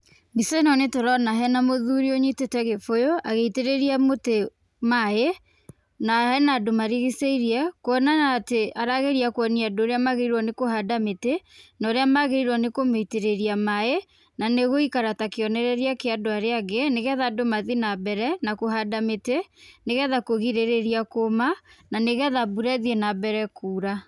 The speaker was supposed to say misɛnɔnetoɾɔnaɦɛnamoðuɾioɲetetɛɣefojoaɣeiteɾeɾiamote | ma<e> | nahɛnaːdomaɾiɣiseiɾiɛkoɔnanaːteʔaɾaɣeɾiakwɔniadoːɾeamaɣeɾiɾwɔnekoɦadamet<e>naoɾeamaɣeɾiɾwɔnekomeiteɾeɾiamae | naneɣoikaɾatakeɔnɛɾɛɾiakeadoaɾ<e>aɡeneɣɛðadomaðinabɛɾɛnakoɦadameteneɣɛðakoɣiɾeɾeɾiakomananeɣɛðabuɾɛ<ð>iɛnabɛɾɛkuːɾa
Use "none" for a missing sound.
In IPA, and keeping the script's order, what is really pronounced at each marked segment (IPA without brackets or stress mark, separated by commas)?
e, e, e, ð